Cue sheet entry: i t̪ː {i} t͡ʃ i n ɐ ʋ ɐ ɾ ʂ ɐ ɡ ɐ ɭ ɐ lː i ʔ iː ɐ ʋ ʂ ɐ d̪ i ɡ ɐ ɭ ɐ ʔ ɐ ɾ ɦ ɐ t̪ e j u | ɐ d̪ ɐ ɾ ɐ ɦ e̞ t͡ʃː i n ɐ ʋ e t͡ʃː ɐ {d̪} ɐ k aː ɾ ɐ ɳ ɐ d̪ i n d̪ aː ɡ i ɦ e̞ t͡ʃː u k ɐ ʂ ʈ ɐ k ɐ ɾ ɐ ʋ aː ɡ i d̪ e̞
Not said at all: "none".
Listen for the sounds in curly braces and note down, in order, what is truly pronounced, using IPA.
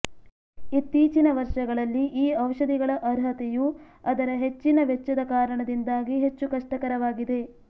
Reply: iː, d̪

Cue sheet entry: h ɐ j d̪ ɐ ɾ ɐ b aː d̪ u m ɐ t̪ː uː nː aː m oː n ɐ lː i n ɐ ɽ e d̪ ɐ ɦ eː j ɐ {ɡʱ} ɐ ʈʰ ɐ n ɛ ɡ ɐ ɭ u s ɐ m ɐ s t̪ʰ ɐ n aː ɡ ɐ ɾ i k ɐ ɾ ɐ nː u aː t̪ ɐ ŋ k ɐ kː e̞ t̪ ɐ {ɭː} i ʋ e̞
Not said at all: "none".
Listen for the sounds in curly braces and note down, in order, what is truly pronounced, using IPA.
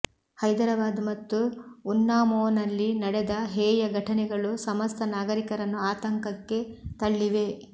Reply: ɡʱ, ɭː

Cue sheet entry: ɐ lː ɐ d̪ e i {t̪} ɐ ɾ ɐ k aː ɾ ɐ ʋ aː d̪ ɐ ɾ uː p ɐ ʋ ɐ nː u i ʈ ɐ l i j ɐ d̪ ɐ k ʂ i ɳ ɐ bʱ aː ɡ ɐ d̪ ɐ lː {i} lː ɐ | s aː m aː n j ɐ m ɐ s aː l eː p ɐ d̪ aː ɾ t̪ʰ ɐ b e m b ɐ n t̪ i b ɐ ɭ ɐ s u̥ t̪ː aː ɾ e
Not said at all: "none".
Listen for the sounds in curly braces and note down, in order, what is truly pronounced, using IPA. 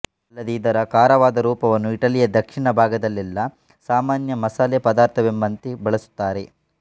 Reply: d̪, i

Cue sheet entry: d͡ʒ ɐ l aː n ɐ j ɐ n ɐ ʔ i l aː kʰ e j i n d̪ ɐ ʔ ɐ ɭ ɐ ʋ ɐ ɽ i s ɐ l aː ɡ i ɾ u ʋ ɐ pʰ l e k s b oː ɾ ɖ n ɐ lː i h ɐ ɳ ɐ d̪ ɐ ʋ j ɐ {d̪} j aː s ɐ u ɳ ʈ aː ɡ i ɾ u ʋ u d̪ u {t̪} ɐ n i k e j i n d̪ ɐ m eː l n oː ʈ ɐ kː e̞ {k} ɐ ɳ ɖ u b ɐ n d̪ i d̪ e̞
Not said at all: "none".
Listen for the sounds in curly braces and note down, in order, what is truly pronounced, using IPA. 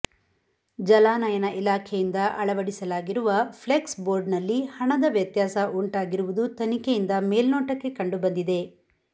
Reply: t̪, t̪, k

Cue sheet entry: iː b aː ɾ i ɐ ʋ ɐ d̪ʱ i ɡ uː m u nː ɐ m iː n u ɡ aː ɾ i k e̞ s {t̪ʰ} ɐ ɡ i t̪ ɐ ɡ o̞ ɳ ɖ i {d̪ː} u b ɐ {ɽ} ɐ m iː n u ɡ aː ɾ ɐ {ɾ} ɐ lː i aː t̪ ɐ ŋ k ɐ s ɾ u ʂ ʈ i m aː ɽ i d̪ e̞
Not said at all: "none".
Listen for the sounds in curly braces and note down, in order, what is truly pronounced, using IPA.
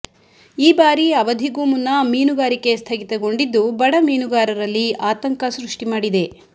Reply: t̪ʰ, d̪ː, ɽ, ɾ

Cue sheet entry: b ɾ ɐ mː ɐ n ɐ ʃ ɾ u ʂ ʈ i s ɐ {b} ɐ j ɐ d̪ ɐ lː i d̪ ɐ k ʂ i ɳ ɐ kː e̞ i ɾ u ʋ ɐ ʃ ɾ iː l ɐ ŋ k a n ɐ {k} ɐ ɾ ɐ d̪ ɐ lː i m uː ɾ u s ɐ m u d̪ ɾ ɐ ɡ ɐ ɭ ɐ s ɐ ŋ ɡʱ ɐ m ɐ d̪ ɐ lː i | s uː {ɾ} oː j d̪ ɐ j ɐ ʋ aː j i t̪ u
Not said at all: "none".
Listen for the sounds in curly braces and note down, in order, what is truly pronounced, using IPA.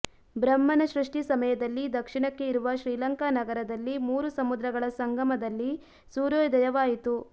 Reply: m, ɡ, ɾ

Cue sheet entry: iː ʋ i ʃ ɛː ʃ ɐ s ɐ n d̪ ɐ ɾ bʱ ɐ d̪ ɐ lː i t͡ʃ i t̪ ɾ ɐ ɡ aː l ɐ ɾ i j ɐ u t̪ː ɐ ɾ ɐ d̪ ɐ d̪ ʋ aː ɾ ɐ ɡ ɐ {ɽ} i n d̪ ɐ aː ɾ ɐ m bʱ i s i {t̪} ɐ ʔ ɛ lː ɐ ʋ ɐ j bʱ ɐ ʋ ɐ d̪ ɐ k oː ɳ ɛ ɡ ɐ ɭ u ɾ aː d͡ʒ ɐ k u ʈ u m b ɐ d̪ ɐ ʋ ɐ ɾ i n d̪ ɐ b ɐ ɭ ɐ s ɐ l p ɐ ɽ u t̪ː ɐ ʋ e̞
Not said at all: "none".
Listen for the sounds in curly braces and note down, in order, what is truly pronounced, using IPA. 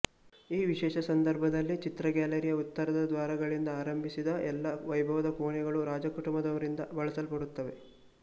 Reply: ɭ, d̪

